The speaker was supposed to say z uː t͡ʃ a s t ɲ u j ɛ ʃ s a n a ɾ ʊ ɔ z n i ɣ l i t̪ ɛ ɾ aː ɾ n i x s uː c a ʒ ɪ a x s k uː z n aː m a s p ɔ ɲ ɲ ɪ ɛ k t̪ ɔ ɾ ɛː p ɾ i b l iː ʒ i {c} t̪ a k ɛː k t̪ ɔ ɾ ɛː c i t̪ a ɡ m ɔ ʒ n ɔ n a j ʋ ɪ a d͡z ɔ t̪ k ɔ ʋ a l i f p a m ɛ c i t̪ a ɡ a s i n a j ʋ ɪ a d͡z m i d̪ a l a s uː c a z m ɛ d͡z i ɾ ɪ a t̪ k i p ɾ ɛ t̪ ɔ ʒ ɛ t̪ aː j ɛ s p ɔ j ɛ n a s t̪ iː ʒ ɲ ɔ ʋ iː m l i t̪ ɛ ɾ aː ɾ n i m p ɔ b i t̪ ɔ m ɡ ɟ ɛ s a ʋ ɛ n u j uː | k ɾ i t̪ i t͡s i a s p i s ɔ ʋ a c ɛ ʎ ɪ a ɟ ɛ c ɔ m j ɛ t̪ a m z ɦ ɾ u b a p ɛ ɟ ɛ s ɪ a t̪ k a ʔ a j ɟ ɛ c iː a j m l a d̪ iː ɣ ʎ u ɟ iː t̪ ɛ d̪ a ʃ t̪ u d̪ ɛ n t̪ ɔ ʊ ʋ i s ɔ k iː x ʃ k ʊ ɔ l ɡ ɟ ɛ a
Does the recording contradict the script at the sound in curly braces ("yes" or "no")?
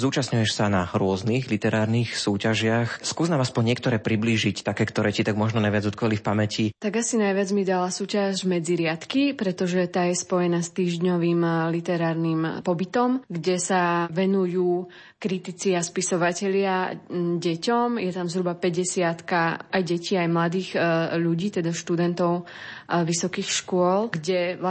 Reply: no